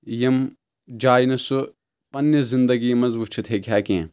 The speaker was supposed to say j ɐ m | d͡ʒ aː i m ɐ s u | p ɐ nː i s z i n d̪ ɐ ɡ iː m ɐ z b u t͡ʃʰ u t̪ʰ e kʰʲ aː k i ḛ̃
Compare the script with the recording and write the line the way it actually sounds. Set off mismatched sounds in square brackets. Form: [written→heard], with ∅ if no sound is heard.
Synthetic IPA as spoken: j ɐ m | d͡ʒ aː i [m→n] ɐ s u | p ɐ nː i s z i n d̪ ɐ ɡ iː m ɐ z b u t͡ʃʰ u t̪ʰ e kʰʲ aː k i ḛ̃

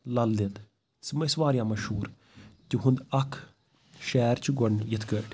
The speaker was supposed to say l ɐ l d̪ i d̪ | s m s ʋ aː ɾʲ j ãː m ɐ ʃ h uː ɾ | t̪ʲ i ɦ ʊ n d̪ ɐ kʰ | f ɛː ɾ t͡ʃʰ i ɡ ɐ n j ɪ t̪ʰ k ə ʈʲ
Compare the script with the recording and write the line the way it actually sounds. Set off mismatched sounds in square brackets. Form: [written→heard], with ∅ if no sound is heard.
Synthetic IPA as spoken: l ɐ l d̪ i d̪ | s m s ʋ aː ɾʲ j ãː m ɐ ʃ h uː ɾ | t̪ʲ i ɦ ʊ n d̪ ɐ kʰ | [f→ʃ] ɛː ɾ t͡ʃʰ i ɡ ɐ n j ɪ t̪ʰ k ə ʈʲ

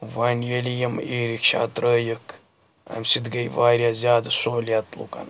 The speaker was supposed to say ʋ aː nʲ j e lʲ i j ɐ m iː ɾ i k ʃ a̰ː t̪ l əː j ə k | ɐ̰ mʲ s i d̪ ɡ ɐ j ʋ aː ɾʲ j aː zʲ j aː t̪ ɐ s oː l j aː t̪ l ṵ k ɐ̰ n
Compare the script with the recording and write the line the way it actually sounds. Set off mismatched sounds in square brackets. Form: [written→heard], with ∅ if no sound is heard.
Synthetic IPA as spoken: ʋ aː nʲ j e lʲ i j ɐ m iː ɾ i k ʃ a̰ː t̪ [l→ɾ] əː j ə k | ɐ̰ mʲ s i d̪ ɡ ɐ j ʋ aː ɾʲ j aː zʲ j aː [t̪→d̪] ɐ s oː l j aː t̪ l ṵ k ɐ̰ n

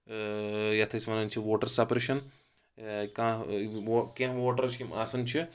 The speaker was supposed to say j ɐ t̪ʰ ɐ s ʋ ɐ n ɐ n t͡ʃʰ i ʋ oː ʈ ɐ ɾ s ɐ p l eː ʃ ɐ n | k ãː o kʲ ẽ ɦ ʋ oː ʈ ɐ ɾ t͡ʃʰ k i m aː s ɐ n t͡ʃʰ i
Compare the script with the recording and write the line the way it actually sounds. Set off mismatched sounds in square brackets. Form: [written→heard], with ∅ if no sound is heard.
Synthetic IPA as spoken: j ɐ t̪ʰ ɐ s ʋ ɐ n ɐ n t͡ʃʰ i ʋ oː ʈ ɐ ɾ s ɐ p [l→ɾ] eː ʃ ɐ n | k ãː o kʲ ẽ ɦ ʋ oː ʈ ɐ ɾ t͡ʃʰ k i m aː s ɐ n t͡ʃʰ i

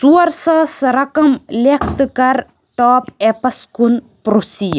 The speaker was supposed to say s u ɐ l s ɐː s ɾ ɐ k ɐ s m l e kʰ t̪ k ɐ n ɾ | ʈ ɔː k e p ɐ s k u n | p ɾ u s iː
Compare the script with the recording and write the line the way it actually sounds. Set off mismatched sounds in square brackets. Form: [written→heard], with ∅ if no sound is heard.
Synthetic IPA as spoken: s u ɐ [l→ɾ] s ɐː s ɾ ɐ k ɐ [s→∅] m l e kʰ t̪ k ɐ [n→∅] ɾ | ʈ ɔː [k→p] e p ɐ s k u n | p ɾ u s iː

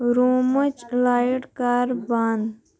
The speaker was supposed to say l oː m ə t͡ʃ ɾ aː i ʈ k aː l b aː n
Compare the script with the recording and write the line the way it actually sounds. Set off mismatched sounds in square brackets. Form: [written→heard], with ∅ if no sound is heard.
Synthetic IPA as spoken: [l→ɾ] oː m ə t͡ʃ [ɾ→l] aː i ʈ k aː [l→ɾ] b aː n

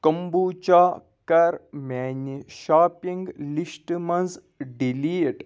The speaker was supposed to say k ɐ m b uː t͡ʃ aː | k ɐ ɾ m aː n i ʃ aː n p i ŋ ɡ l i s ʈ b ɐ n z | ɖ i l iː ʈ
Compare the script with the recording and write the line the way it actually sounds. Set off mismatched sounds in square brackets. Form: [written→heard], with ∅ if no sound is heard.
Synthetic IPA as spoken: k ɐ m b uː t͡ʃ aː | k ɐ ɾ m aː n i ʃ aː [n→∅] p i ŋ ɡ l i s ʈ [b→m] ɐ n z | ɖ i l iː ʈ

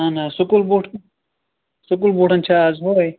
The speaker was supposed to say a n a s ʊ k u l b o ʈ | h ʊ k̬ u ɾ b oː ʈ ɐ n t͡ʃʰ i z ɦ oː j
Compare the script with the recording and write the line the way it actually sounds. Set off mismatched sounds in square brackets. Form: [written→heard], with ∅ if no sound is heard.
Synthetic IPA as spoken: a n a s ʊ k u l b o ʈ | [h→s] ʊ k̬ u [ɾ→l] b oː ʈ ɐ n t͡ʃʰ [i→a] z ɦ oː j

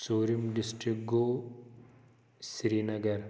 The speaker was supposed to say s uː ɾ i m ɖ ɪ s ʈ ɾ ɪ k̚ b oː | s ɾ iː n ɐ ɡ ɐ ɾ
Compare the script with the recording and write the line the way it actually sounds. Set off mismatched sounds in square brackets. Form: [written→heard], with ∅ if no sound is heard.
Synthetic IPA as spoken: s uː ɾ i m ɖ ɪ s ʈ ɾ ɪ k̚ [b→ɡ] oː | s ɾ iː n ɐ ɡ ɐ ɾ

